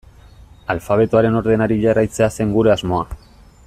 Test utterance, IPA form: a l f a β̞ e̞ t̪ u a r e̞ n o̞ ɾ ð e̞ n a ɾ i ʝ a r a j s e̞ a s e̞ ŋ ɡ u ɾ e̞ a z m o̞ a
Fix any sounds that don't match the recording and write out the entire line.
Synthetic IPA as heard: a l f a β̞ e̞ t̪ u a ɾ e̞ n o̞ ɾ ð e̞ n a ɾ i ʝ a r a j t͡s e̞ a s e̞ ŋ ɡ u ɾ e̞ a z m o̞ a